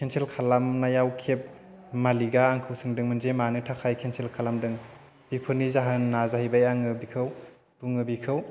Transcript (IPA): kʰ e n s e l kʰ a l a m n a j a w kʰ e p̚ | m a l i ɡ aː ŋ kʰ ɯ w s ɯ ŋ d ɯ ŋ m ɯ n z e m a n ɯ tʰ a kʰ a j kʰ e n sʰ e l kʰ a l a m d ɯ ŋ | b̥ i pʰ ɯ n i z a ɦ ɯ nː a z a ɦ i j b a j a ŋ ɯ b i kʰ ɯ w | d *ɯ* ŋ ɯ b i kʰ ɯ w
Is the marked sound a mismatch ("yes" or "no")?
yes